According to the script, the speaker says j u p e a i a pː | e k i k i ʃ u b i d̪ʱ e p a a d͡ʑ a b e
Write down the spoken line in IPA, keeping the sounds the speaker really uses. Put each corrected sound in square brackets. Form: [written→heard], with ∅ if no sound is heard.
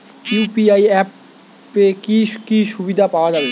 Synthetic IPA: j u p [e→i] a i [a→ɛ] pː | e k i k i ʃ u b i d̪ʱ [e→a] p a a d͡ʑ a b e